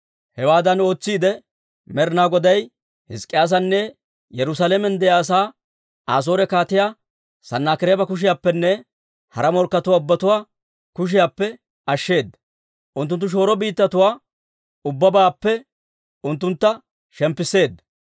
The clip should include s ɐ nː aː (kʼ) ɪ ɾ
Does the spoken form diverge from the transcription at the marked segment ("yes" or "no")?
yes